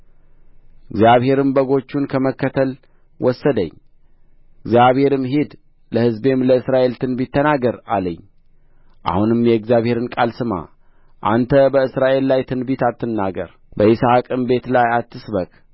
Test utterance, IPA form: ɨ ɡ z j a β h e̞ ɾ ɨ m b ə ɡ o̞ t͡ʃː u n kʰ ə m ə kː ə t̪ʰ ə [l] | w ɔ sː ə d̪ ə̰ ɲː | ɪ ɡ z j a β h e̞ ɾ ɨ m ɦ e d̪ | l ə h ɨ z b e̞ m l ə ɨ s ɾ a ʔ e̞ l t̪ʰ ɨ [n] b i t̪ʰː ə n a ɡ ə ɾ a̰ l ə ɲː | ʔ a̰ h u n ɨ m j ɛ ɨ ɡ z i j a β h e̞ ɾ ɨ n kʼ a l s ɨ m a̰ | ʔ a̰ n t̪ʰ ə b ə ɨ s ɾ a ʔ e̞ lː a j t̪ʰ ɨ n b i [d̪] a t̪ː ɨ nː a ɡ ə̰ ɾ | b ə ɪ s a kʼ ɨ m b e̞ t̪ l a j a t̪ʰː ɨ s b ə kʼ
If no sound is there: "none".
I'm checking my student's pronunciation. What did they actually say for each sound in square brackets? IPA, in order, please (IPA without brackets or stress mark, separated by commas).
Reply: l, n, t̪